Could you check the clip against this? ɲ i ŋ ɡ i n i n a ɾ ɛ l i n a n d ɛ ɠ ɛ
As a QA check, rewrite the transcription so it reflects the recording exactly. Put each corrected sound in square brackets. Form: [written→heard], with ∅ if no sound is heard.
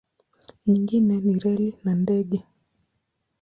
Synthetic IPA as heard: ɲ i ŋ ɡ i n [i→ɛ] n [a→i] ɾ ɛ l i n a n d ɛ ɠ ɛ